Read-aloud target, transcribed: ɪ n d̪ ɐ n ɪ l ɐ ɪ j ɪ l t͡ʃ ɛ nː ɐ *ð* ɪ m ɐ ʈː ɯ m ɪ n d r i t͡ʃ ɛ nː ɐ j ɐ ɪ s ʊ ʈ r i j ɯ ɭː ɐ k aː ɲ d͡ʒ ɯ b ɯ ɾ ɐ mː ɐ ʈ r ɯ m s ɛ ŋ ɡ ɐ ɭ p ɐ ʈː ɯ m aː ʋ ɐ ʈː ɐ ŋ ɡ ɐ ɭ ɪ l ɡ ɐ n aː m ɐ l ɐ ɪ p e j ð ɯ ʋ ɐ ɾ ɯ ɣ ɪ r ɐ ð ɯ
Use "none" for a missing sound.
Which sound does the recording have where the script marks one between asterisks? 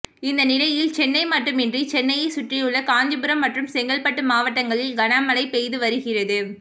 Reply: none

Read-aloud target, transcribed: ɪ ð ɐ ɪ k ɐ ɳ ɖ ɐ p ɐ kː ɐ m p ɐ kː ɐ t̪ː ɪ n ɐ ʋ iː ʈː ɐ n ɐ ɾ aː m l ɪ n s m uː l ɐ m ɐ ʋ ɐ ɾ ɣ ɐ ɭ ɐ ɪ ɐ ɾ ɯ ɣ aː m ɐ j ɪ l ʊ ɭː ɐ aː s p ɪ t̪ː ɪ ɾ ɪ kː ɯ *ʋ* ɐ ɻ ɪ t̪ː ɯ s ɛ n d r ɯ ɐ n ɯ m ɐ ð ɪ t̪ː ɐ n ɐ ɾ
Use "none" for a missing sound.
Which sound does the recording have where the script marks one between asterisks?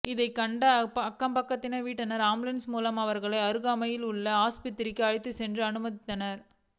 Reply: none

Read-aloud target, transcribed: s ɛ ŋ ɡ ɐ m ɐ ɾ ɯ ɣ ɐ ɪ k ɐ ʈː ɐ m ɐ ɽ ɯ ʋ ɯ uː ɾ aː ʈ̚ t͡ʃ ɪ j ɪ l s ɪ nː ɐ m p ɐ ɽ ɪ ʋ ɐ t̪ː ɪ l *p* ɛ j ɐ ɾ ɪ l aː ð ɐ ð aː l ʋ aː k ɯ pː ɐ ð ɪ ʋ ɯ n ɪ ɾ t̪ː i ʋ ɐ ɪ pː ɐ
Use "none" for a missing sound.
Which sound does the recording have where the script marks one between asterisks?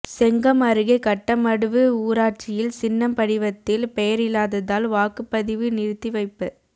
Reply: p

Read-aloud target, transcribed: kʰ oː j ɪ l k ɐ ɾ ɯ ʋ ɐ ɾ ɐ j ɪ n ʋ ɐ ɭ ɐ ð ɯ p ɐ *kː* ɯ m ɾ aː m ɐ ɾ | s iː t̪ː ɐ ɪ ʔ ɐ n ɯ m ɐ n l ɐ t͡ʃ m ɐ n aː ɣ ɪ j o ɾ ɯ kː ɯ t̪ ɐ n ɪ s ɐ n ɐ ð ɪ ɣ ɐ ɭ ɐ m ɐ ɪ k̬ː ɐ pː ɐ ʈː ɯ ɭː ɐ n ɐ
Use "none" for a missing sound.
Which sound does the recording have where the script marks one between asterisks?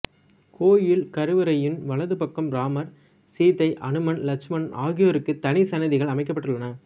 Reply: kː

